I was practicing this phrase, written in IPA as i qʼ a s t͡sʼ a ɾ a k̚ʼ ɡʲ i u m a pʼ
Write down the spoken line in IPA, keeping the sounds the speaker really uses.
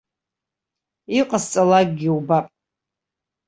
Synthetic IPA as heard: i qʼ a s t͡sʼ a l a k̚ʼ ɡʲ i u b a pʼ